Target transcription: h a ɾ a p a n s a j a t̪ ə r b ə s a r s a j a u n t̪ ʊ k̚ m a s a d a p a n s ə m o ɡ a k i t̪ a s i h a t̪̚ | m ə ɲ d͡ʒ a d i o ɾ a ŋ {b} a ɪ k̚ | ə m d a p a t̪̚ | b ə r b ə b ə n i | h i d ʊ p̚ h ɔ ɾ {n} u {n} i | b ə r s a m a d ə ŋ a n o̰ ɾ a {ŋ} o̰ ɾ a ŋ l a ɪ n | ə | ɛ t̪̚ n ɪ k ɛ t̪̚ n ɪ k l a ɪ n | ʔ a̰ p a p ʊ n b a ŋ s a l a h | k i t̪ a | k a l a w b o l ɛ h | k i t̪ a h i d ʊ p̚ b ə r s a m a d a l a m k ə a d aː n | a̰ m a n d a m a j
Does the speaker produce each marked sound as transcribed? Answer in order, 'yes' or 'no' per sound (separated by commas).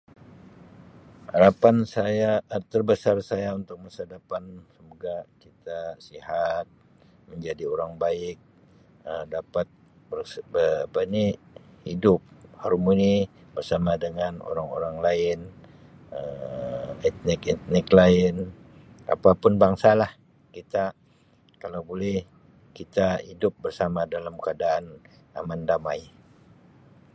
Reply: yes, no, yes, yes